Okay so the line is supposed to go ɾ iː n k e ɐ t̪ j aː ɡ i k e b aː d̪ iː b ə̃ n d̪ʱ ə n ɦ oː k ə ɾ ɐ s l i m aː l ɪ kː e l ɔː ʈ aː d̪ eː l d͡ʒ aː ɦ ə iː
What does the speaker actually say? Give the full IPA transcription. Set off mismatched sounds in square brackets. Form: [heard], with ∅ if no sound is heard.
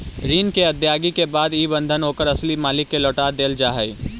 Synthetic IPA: ɾ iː n k e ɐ [d̪] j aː ɡ i k e b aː d̪ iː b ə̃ n d̪ʱ ə n ɦ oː k ə ɾ ɐ s l i m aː l ɪ kː e l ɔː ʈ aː d̪ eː l d͡ʒ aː ɦ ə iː

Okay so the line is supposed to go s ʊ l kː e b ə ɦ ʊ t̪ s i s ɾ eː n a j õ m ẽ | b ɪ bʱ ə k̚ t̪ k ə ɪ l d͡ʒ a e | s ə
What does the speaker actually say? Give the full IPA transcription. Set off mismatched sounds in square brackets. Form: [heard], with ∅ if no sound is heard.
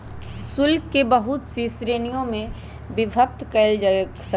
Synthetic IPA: s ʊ l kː e b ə ɦ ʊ t̪ s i s ɾ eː n [i] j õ m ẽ | b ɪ bʱ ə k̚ t̪ k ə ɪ l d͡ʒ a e | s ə

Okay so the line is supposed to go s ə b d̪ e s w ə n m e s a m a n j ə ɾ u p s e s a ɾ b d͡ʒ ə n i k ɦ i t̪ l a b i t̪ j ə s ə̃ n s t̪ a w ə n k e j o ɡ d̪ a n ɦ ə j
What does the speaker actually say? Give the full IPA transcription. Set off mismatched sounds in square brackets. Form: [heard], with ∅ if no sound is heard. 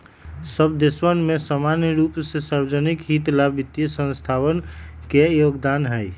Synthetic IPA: s ə b d̪ e s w ə n m e s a m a n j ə ɾ u p s e s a ɾ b d͡ʒ ə n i k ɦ i t̪ l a b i t̪ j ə s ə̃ n s [t̪ʰ] a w ə n k e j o ɡ d̪ a n ɦ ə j

